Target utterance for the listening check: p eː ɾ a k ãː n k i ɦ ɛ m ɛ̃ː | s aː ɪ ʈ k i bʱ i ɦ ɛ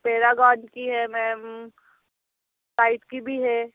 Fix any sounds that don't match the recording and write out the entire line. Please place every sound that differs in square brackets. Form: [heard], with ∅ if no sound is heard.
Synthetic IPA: p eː ɾ a [ɡ] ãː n k i ɦ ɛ m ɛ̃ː | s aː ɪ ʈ k i bʱ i ɦ ɛ